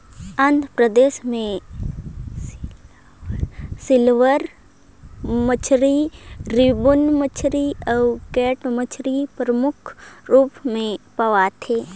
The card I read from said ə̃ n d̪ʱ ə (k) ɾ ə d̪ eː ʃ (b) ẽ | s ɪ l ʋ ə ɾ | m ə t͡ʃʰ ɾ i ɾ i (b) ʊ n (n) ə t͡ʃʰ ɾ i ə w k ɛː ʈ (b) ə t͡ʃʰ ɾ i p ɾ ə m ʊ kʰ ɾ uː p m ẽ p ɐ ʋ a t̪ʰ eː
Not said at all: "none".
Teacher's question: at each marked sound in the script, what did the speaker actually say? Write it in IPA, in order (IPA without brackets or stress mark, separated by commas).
p, m, b, m, m